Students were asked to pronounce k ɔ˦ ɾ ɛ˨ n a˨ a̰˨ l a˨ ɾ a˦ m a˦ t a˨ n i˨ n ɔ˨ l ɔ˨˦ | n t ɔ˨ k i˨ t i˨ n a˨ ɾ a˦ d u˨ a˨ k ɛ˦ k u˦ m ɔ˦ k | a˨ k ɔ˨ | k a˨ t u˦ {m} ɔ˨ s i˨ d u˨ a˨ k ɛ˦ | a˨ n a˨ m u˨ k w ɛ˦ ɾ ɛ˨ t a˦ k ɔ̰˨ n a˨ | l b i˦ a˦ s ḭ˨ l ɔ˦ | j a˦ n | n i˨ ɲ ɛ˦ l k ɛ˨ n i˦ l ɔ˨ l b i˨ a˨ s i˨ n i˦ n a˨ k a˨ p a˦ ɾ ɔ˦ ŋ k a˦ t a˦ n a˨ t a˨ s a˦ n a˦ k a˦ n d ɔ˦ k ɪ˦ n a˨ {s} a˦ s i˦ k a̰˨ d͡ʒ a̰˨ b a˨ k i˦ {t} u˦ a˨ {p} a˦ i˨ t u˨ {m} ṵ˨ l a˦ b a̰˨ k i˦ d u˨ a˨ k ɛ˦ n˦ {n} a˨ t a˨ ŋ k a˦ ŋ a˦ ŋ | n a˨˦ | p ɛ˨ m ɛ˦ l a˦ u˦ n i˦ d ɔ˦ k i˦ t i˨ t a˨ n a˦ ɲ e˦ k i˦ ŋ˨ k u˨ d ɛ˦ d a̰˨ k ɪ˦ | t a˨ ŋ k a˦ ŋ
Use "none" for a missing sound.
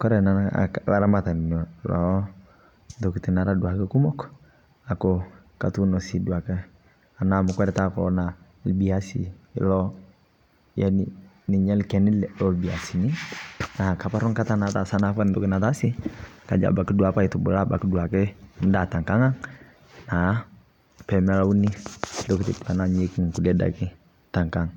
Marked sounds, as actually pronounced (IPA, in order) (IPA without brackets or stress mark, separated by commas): n, t, d, p, b, d